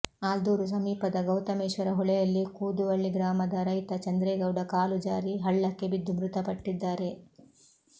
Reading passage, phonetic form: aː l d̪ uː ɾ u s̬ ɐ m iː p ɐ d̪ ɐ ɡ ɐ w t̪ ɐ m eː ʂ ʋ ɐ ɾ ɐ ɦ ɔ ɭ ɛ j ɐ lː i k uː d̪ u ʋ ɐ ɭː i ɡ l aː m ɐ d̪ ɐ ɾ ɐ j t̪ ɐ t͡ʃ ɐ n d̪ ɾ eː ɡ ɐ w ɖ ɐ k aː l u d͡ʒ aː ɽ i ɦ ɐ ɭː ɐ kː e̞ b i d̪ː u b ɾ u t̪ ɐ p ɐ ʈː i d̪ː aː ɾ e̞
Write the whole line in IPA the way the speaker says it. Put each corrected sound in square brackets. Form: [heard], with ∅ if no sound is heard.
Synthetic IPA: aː l d̪ uː ɾ u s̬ ɐ m iː p ɐ d̪ ɐ ɡ ɐ w t̪ ɐ m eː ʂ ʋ ɐ ɾ ɐ ɦ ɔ ɭ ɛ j ɐ lː i k uː d̪ u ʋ ɐ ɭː i ɡ [ɾ] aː m ɐ d̪ ɐ ɾ ɐ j t̪ ɐ t͡ʃ ɐ n d̪ ɾ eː ɡ ɐ w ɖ ɐ k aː l u d͡ʒ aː [ɾ] i ɦ ɐ ɭː ɐ kː e̞ b i d̪ː u [m] ɾ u t̪ ɐ p ɐ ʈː i d̪ː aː ɾ e̞